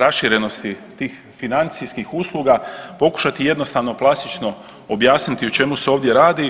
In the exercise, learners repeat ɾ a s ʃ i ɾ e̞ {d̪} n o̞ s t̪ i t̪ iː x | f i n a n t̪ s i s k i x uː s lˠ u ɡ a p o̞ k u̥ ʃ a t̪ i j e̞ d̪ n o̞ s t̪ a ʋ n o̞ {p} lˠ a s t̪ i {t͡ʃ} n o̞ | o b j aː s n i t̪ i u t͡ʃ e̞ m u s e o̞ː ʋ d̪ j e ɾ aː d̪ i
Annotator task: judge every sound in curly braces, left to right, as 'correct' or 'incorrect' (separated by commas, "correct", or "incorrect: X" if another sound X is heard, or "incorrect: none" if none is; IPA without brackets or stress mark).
incorrect: none, correct, correct